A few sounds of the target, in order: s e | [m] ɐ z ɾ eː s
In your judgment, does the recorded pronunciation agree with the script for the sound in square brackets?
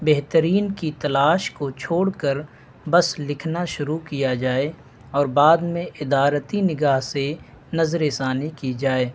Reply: no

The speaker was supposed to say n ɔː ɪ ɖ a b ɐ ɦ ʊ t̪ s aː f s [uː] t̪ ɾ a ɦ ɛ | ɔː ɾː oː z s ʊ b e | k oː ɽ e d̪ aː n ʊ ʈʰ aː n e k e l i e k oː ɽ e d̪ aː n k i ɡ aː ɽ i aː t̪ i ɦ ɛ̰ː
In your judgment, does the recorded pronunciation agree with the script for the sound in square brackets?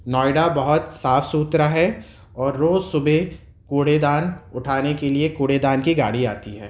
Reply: yes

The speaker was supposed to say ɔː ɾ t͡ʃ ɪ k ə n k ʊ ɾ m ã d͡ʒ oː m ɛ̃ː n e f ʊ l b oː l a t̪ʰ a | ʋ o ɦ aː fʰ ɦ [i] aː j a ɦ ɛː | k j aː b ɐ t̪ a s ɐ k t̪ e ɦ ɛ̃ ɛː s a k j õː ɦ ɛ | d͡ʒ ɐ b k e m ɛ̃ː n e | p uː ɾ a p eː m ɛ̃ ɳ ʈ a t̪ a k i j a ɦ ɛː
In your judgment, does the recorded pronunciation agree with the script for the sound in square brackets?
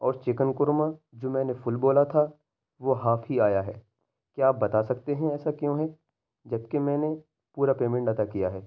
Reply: yes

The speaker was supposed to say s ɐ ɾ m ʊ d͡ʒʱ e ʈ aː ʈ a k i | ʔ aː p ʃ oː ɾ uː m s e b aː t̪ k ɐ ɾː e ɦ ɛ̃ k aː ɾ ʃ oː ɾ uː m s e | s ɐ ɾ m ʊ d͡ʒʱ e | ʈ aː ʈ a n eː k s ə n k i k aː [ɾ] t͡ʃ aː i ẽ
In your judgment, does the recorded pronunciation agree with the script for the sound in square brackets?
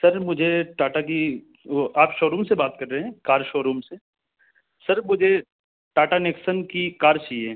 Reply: yes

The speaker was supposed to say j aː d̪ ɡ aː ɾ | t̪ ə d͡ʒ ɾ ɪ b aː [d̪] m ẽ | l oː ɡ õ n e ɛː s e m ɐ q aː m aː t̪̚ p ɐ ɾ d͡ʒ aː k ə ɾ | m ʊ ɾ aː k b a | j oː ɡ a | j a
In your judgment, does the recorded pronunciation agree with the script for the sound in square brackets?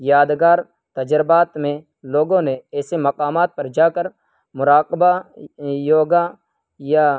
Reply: no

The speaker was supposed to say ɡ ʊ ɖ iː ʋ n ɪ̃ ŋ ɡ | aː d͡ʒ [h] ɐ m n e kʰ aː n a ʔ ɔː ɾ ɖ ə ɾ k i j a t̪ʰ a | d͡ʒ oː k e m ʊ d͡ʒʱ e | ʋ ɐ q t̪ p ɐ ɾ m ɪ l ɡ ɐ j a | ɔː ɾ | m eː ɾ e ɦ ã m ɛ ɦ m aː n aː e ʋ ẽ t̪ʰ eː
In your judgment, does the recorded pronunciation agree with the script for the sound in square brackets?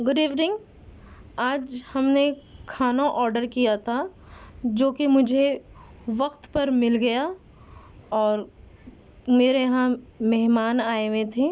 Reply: yes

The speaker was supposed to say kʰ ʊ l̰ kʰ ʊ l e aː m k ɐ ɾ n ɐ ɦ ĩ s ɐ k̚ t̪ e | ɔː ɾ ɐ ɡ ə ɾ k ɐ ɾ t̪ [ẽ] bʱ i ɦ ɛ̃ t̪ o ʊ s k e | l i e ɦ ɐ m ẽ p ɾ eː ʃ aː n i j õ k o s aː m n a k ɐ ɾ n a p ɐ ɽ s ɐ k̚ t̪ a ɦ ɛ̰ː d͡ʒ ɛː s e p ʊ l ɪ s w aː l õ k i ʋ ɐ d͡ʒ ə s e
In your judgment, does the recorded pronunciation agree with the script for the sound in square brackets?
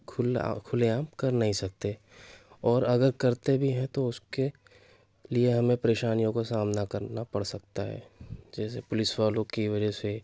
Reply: no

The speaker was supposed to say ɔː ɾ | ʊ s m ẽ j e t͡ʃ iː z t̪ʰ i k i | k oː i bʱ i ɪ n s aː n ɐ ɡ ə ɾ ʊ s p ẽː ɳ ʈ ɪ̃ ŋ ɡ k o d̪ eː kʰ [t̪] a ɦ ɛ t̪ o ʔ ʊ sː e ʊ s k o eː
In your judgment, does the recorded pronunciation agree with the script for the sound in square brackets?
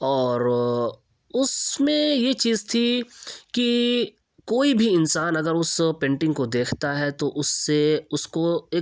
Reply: yes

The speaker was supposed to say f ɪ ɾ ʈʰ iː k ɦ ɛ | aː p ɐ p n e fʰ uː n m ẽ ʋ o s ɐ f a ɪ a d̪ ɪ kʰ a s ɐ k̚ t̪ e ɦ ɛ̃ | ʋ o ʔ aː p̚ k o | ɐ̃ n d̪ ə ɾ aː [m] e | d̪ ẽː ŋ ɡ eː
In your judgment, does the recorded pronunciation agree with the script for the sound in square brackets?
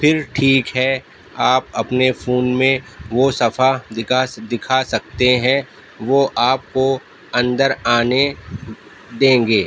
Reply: no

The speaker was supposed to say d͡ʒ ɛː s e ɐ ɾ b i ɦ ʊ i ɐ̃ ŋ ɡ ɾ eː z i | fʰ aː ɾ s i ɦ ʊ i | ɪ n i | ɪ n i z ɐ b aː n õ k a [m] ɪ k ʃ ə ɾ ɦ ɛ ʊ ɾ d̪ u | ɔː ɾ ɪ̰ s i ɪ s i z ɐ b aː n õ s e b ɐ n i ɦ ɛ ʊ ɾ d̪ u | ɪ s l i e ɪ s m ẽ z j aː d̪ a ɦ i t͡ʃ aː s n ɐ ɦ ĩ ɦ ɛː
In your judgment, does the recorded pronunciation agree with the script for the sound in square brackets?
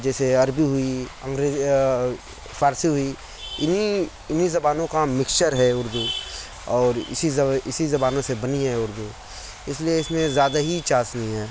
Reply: yes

